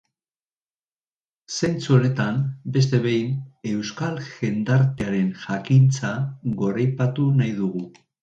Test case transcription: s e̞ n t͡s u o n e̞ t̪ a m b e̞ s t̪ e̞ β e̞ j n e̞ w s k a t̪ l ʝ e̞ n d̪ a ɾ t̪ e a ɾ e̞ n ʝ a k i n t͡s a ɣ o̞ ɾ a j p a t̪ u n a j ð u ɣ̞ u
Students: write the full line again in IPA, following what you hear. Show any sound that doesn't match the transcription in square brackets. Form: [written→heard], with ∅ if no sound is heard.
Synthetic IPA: s e̞ n t͡s u o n e̞ t̪ a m b e̞ s t̪ e̞ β e̞ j n e̞ w s k a [t̪→∅] l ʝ e̞ n d̪ a ɾ t̪ e a ɾ e̞ n ʝ a k i n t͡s a ɣ o̞ ɾ a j p a t̪ u n a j ð u ɣ̞ u

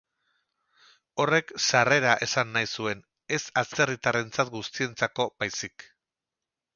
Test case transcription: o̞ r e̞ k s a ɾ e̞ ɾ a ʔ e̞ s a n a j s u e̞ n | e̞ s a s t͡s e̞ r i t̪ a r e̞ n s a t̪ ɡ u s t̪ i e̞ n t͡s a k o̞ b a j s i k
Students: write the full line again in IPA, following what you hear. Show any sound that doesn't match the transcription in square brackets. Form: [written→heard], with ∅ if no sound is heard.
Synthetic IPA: o̞ r e̞ k s a [ɾ→r] e̞ ɾ a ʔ e̞ s a [n→nː] a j s u e̞ n | e̞ s a s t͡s e̞ r i t̪ a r e̞ n [s→t͡s] a t̪ ɡ u s t̪ i e̞ n t͡s a k o̞ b a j s i k

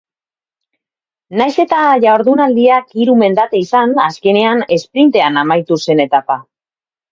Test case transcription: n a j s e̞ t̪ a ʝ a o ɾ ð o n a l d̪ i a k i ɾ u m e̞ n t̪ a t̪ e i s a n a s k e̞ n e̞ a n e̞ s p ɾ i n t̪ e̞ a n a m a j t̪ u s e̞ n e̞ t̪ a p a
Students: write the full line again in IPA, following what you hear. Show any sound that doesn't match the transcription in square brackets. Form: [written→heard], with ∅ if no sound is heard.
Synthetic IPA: n a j s e̞ t̪ a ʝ a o ɾ ð [o→u] n a l d̪ i a k i ɾ u m e̞ n [t̪→d̪] a t̪ e i s a n a s k e̞ n e̞ a n e̞ s p ɾ i n t̪ e̞ a n a m a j t̪ u s e̞ n e̞ t̪ a p a

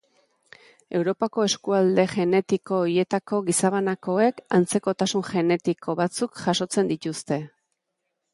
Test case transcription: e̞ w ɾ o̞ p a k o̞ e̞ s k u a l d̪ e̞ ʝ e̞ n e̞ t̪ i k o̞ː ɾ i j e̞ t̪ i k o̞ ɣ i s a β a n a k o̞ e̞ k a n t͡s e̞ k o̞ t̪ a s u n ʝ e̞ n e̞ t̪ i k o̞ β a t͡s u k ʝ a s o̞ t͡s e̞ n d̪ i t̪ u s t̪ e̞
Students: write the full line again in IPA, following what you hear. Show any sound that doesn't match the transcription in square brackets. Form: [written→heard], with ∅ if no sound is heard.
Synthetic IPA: e̞ w ɾ o̞ p a k o̞ e̞ s k u a l d̪ e̞ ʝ e̞ n e̞ t̪ i k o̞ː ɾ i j e̞ t̪ [i→a] k o̞ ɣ i s a β a n a k o̞ e̞ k a n t͡s e̞ k o̞ t̪ a s u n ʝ e̞ n e̞ t̪ i k o̞ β a t͡s u k ʝ a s o̞ t͡s e̞ n d̪ i t̪ u s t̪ e̞

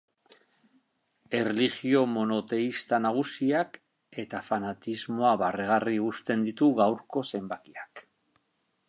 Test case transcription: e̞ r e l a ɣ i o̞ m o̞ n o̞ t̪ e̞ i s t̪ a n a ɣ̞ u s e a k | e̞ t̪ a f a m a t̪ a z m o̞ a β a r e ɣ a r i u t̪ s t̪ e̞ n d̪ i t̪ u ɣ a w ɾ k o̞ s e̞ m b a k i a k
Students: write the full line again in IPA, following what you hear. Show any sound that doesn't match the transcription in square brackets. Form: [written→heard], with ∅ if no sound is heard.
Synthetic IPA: e̞ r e l [a→i] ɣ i o̞ m o̞ n o̞ t̪ e̞ i s t̪ a n a ɣ̞ u s [e→i] a k | e̞ t̪ a f a [m→n] a t̪ [a→i] z m o̞ a β a r e ɣ a r i u [t̪→∅] s t̪ e̞ n d̪ i t̪ u ɣ a w ɾ k o̞ s e̞ m b a k i a k

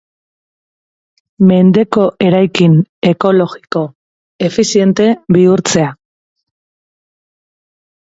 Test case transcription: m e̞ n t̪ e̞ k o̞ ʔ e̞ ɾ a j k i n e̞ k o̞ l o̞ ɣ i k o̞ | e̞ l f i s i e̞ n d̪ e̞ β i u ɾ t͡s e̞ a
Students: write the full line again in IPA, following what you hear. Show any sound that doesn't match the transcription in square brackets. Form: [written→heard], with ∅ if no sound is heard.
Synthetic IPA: m e̞ n [t̪→d̪] e̞ k o̞ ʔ e̞ ɾ a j k i n e̞ k o̞ l o̞ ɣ i k o̞ | e̞ [l→∅] f i s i e̞ n [d̪→t̪] e̞ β i u ɾ t͡s e̞ a

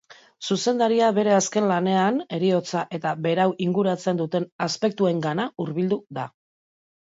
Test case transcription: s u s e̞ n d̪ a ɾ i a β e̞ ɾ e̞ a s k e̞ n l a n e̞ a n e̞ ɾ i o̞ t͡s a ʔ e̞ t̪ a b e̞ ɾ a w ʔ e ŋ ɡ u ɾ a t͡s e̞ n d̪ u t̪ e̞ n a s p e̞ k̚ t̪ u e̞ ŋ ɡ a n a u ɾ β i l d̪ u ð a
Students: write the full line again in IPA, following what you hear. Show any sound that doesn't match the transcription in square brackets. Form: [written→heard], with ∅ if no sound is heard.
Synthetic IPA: s u s e̞ n d̪ a ɾ i a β e̞ ɾ e̞ a s k e̞ n l a n e̞ a n e̞ ɾ i o̞ t͡s a ʔ e̞ t̪ a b e̞ ɾ a w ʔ [e→i] ŋ ɡ u ɾ a t͡s e̞ n d̪ u t̪ e̞ n a s p e̞ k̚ t̪ u e̞ ŋ ɡ a n a u ɾ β i l d̪ u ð a

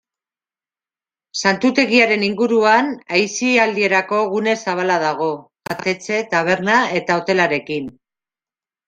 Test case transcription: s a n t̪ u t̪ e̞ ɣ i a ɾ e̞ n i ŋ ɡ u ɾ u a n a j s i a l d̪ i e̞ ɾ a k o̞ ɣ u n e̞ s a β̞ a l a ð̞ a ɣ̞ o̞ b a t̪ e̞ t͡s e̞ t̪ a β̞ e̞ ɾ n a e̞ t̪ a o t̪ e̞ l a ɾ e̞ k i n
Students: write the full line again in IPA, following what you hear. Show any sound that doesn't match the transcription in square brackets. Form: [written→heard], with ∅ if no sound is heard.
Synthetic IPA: s a n t̪ u t̪ e̞ ɣ i a ɾ e̞ n i ŋ ɡ u ɾ u a n a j s i a l d̪ i e̞ ɾ a k o̞ ɣ u n e̞ s a β̞ a l a ð̞ a ɣ̞ o̞ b a t̪ e̞ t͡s e̞ t̪ a β̞ e̞ ɾ n a e̞ t̪ a o t̪ e̞ l a ɾ e̞ k i n

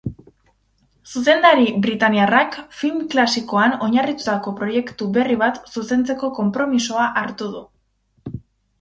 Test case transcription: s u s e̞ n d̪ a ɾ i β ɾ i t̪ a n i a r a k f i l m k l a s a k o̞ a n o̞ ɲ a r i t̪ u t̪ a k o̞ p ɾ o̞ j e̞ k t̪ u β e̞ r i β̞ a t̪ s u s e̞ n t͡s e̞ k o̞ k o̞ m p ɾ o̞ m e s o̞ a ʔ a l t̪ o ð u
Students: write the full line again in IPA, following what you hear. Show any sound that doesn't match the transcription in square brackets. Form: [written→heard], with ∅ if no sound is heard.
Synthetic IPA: s u s e̞ n d̪ a ɾ i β ɾ i t̪ a n i a r a k f i l m k l a s [a→i] k o̞ a n o̞ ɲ a r i t̪ u t̪ a k o̞ p ɾ o̞ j e̞ k t̪ u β e̞ r i β̞ a t̪ s u s e̞ n t͡s e̞ k o̞ k o̞ m p ɾ o̞ m [e→i] s o̞ a ʔ a [l→ɾ] t̪ [o→u] ð u

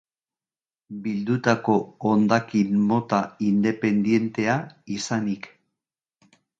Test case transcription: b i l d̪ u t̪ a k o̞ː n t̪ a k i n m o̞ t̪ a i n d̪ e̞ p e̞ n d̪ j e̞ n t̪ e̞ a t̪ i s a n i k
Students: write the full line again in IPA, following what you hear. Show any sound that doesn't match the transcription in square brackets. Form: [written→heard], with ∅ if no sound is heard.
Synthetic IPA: b i l d̪ u t̪ a k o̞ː n [t̪→d̪] a k i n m o̞ t̪ a i n d̪ e̞ p e̞ n d̪ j e̞ n t̪ e̞ a [t̪→∅] i s a n i k

